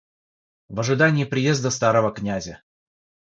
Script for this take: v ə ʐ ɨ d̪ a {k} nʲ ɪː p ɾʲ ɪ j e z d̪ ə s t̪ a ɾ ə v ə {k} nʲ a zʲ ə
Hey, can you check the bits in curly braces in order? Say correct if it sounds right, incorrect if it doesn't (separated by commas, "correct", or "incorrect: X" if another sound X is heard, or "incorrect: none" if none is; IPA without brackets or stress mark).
incorrect: none, correct